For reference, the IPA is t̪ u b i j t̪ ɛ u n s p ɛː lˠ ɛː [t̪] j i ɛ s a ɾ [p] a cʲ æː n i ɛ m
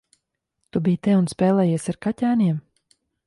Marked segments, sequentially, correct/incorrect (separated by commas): incorrect, incorrect